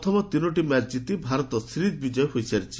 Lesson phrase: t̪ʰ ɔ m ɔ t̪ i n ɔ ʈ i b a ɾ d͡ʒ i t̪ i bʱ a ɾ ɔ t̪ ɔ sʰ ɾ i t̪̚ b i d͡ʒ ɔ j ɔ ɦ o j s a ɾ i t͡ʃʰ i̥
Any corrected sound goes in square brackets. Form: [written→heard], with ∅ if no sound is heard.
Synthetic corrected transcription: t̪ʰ ɔ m ɔ t̪ i n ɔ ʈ i [b→m] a ɾ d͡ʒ i t̪ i bʱ a ɾ ɔ t̪ ɔ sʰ ɾ i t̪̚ b i d͡ʒ ɔ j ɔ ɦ o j s a ɾ i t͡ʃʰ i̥